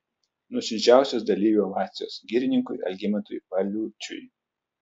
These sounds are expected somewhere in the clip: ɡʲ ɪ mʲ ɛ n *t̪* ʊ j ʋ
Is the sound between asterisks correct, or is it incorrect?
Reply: correct